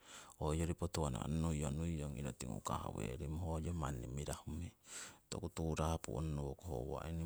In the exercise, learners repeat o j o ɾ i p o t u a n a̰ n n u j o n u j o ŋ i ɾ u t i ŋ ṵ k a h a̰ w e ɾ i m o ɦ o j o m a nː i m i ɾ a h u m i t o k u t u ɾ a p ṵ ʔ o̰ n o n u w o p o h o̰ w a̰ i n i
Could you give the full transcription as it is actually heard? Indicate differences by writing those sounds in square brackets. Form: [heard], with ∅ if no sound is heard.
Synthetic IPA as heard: o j o ɾ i p o t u a n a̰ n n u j o n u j o ŋ i ɾ [o] t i ŋ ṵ k a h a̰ w e ɾ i m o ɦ o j o m a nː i m i ɾ a h u m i t o k u t u ɾ a p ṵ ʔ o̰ n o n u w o [k] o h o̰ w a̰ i n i